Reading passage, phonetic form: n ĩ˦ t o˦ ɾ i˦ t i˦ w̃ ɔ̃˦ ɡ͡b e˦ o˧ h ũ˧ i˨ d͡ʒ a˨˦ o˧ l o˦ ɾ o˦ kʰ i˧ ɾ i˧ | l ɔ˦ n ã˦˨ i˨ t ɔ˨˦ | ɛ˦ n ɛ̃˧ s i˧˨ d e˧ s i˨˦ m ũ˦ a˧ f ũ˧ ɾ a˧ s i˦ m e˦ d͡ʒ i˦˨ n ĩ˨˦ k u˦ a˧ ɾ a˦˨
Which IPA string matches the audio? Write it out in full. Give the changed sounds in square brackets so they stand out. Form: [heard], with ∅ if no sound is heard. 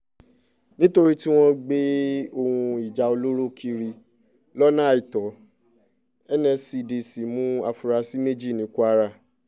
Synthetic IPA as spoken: n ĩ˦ t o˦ ɾ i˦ t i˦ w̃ ɔ̃˦ ɡ͡b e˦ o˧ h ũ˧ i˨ d͡ʒ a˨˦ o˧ l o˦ ɾ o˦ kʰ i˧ ɾ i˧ | l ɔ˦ n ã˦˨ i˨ t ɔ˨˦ | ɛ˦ n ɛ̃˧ s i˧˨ d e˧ s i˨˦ m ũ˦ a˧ f [u˧] ɾ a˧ s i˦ m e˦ d͡ʒ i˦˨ n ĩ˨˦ k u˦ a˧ ɾ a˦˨